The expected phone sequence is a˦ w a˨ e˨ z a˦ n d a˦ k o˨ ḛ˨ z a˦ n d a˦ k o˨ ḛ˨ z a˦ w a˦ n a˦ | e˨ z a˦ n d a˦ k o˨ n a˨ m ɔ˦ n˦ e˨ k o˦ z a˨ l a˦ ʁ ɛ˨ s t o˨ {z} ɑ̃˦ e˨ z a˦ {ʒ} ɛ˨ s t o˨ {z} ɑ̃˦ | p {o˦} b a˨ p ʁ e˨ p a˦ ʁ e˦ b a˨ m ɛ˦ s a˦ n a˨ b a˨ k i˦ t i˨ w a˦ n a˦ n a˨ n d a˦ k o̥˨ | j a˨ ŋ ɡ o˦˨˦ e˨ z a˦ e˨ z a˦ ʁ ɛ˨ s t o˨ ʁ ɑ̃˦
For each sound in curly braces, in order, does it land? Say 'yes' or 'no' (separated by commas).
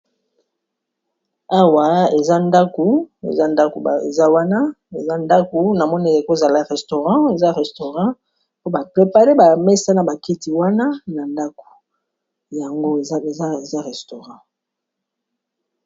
no, no, no, yes